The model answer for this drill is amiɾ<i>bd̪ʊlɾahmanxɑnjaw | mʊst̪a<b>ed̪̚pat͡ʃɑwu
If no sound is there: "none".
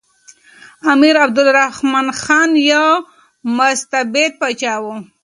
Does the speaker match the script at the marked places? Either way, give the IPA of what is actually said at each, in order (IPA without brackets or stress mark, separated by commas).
a, b